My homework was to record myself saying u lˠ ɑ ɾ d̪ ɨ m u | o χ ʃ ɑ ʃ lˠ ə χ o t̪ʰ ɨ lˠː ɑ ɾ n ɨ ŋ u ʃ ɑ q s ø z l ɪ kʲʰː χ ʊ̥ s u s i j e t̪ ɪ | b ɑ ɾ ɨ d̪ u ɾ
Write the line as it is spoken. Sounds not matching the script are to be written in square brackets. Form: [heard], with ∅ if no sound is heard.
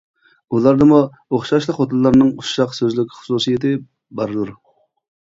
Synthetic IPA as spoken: u lˠ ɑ ɾ d̪ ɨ m u | o χ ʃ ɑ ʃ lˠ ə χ o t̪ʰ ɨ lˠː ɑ ɾ n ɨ ŋ u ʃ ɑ q s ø z l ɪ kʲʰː χ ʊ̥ s u s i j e t̪ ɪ | b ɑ ɾ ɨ d̪ u ɾ